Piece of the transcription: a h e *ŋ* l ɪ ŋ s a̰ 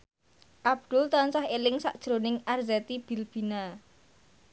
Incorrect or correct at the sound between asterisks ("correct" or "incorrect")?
incorrect